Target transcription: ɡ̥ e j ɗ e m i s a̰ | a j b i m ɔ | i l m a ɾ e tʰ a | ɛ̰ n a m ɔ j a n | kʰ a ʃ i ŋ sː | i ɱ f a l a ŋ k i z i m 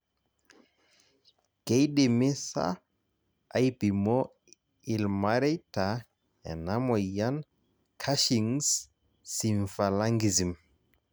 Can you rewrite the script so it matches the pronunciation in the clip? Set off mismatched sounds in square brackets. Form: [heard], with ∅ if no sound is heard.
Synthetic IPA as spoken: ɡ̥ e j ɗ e m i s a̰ | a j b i m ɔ | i l m a ɾ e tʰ a | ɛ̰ n a m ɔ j a n | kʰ a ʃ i ŋ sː | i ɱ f a l a ŋ [ɡ] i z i m